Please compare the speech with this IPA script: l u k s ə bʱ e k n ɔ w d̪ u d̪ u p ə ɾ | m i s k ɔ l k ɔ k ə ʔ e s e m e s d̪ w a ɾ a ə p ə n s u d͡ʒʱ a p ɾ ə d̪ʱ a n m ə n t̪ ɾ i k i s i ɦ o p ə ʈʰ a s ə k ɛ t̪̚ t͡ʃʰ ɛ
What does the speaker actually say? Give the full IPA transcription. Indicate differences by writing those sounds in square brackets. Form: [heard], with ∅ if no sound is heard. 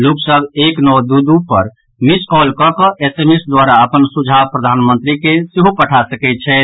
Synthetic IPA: l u k s ə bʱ e k n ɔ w d̪ u d̪ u p ə ɾ | m i s k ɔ l k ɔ k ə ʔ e s e m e s d̪ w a ɾ a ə p ə n s u d͡ʒʱ a p ɾ ə d̪ʱ a n m ə n t̪ ɾ i k [e] s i ɦ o p ə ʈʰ a s ə k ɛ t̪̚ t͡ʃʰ ɛ